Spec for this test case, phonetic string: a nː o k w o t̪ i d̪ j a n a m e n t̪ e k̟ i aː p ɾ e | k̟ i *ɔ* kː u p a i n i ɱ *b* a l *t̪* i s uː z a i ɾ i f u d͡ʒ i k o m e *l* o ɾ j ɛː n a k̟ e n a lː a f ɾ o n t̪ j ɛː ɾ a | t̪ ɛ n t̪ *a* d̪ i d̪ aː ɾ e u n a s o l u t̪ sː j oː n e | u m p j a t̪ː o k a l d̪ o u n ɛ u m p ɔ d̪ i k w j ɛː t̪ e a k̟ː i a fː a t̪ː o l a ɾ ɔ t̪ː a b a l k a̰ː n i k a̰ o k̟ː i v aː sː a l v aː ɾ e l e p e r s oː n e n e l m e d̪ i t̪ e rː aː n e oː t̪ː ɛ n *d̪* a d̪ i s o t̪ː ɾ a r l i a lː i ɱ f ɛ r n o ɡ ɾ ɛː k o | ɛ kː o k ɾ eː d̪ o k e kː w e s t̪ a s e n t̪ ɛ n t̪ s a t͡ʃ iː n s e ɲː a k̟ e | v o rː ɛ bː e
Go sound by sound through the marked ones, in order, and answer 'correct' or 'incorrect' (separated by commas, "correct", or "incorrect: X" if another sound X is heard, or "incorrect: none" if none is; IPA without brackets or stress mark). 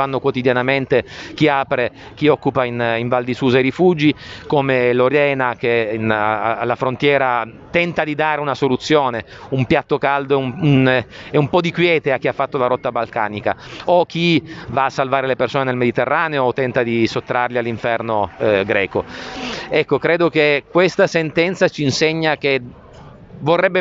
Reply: correct, incorrect: v, incorrect: d̪, correct, correct, incorrect: t̪